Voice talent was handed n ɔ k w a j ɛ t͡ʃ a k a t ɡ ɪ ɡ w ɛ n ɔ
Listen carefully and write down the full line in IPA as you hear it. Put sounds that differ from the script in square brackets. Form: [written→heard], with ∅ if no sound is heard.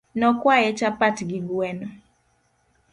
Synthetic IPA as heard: n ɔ k w a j ɛ t͡ʃ a [k→p] a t ɡ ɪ ɡ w ɛ n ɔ